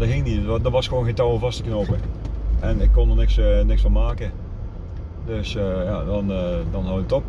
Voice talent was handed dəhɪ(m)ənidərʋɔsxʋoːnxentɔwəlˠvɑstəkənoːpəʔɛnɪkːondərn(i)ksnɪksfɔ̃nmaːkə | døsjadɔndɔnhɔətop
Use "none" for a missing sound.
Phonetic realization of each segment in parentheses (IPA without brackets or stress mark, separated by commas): ŋ, ɪ